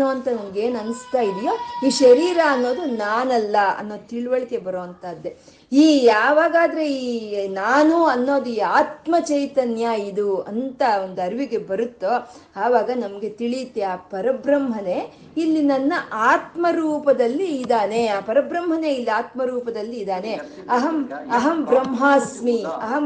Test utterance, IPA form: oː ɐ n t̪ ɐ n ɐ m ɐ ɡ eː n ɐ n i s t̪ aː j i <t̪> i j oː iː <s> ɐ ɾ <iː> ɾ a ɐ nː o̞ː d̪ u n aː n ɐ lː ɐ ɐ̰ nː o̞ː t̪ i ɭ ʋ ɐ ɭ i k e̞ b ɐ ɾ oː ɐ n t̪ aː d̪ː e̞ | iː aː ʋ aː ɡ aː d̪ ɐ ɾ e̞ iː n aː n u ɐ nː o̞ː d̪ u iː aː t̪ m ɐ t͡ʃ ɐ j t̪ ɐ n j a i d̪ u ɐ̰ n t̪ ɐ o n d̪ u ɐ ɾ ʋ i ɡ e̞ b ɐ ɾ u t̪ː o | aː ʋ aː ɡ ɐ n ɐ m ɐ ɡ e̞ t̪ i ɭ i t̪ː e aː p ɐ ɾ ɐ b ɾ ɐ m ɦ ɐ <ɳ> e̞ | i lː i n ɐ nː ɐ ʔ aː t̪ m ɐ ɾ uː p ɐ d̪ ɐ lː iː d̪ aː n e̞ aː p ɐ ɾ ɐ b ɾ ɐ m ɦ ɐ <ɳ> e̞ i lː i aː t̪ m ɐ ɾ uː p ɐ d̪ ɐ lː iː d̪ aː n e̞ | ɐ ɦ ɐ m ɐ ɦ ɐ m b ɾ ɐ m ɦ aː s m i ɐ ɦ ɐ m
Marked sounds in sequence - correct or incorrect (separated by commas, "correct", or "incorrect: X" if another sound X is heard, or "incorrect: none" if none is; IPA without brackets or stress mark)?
incorrect: d̪, incorrect: ʃ, correct, incorrect: n, incorrect: n